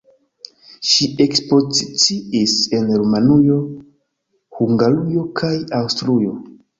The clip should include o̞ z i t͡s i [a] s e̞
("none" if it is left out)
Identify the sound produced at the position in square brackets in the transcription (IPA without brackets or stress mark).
i